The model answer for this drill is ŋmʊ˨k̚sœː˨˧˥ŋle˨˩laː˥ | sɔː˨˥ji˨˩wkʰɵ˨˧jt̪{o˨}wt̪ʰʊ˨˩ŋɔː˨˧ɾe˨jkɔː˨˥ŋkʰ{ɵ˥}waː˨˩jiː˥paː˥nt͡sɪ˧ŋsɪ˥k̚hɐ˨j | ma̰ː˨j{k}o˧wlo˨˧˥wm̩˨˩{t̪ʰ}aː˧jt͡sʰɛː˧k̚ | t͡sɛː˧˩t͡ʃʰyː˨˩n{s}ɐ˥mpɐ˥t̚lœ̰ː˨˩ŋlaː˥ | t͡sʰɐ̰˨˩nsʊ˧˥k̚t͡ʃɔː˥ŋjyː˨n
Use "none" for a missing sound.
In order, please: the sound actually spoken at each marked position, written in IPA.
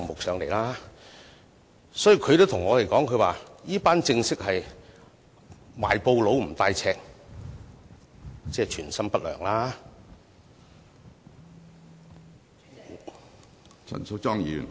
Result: o˥, ɵ˨˧, p, t̪, s

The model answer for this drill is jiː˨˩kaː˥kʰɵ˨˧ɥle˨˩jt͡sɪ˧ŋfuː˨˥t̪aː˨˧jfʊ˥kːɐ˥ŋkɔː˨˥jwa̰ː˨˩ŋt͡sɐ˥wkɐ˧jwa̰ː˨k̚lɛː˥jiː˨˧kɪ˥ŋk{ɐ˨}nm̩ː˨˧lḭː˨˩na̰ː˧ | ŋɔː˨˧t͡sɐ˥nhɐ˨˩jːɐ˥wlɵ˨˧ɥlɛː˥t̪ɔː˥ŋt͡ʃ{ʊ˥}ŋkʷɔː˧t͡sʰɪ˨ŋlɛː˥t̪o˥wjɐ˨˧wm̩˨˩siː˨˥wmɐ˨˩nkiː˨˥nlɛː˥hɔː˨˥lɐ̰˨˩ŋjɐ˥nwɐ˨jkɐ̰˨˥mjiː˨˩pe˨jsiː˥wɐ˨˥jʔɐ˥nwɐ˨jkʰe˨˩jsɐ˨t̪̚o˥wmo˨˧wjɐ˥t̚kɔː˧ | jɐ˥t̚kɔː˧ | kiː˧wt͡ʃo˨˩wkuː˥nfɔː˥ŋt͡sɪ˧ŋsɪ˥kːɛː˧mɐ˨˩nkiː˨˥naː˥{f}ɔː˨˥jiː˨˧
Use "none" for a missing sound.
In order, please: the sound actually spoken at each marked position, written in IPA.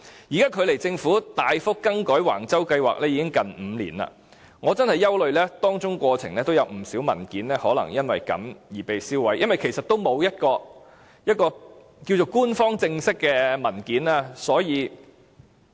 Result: ɐ˨, ʊ˥, s

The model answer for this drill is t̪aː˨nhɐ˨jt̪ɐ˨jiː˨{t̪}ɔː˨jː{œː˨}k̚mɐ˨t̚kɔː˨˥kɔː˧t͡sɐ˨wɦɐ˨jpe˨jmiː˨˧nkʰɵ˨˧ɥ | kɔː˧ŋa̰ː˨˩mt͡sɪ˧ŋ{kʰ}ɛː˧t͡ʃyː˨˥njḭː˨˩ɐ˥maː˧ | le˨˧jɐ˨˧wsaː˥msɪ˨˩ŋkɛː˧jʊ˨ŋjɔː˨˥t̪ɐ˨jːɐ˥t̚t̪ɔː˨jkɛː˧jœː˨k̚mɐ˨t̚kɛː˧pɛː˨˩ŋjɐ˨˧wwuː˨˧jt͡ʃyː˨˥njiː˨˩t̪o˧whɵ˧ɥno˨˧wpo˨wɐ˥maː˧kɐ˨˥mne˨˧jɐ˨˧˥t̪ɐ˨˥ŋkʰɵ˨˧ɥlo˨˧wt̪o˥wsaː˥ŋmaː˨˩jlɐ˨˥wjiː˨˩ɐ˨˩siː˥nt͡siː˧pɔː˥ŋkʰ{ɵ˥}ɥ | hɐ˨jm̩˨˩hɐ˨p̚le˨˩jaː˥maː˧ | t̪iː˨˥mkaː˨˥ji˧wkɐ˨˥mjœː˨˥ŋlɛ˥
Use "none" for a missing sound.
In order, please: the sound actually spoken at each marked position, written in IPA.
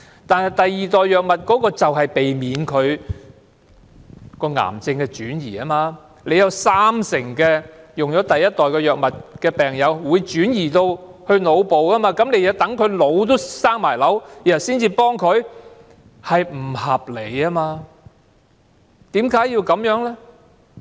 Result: t̪, œː˨, k, ɵ˨˧

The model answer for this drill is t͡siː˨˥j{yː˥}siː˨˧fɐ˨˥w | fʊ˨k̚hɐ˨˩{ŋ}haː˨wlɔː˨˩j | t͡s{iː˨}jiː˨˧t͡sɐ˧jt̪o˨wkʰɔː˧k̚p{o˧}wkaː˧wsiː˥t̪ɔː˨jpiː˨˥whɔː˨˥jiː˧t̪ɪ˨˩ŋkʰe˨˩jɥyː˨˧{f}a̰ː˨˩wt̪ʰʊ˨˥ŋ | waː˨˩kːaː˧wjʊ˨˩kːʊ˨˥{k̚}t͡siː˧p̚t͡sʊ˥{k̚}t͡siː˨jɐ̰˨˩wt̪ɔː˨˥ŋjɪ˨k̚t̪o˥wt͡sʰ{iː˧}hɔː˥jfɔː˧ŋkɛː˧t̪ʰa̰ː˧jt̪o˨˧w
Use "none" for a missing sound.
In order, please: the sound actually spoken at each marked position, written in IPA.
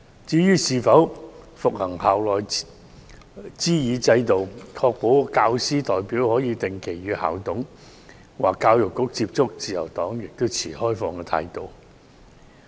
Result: yː˥, ŋ, iː˥, o˨˥, h, k̚, k̚, iː˨˩

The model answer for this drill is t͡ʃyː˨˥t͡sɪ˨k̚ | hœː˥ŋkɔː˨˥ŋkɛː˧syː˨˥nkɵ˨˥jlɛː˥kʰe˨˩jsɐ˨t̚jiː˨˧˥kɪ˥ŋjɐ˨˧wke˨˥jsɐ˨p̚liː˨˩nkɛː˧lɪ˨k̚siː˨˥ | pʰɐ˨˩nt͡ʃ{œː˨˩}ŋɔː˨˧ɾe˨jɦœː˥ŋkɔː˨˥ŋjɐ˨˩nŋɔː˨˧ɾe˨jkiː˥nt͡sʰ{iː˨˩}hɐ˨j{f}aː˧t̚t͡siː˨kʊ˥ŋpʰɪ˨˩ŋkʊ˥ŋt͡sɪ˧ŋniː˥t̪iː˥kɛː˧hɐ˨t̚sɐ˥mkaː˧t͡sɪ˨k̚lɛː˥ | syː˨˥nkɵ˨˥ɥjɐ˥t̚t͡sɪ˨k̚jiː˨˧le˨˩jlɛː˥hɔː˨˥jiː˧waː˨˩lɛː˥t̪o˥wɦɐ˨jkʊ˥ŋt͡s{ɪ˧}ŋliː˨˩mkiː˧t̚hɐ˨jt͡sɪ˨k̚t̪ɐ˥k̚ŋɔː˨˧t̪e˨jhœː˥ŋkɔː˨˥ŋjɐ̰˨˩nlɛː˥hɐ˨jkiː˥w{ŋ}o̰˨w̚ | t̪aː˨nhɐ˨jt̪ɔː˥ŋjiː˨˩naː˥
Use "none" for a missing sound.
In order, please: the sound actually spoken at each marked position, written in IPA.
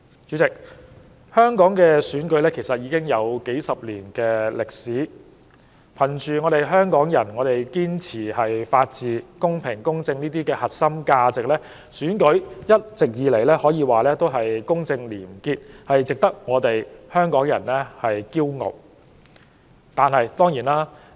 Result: yː˨˩, iː˨˩, f, ɪ˧, ŋ

